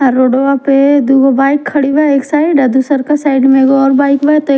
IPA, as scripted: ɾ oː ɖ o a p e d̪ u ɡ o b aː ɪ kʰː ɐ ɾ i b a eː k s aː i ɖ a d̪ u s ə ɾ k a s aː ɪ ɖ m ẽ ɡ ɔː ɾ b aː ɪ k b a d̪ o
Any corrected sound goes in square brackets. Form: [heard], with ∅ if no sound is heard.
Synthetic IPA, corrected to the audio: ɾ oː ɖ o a p e d̪ u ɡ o b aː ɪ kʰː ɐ [ɽ] i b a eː k s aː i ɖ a d̪ u s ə ɾ k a s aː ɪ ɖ m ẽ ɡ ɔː ɾ b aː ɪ k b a [t̪] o